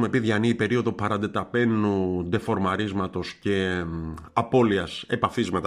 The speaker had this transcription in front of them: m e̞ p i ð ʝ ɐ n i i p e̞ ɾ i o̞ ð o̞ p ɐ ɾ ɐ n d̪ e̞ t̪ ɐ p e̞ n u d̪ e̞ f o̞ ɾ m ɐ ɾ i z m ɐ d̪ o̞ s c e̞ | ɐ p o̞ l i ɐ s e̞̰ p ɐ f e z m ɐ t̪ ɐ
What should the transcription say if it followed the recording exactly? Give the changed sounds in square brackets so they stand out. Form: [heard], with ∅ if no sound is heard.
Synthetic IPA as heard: m e̞ p i ð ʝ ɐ n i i p e̞ ɾ i o̞ ð o̞ p ɐ ɾ ɐ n d̪ e̞ t̪ ɐ p e̞ n u d̪ e̞ f o̞ ɾ m ɐ ɾ i z m ɐ [t̪] o̞ s c e̞ | ɐ p o̞ l i ɐ s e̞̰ p ɐ f [i] z m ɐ t̪ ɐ